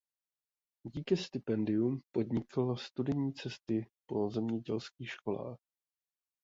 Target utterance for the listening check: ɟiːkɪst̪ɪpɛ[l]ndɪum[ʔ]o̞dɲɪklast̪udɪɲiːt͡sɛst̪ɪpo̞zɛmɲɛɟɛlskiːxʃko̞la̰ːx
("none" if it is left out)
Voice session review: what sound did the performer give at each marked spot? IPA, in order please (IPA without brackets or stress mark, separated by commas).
none, p